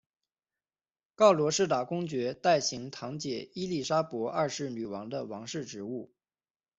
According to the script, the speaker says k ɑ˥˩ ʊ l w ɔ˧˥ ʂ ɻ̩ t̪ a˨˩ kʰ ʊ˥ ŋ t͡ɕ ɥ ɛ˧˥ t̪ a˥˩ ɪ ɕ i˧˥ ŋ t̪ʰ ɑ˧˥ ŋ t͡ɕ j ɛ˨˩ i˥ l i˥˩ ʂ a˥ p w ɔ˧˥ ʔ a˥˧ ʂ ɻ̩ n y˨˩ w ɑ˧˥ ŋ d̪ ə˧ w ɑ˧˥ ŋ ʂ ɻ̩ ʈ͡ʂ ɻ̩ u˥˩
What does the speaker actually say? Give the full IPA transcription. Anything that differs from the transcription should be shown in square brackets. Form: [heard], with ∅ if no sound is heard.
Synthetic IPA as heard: k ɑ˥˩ ʊ l w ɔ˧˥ ʂ ɻ̩ t̪ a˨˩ [k] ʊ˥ ŋ t͡ɕ ɥ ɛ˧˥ t̪ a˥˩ ɪ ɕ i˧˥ ŋ t̪ʰ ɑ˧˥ ŋ t͡ɕ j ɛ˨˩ i˥ l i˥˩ ʂ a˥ p w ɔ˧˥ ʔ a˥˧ ʂ ɻ̩ n y˨˩ w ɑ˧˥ ŋ d̪ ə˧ w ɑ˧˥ ŋ ʂ ɻ̩ ʈ͡ʂ ɻ̩ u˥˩